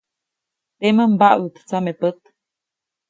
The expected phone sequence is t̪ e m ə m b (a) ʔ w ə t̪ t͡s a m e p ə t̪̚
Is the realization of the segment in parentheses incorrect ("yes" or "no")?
no